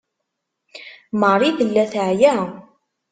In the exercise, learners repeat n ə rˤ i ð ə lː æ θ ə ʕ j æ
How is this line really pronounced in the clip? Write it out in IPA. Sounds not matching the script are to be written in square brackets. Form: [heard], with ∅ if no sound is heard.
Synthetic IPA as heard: [m] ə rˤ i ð ə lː æ θ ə ʕ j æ